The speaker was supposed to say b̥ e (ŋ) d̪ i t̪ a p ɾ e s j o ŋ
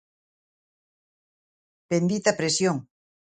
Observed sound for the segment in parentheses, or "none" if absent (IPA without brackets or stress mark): n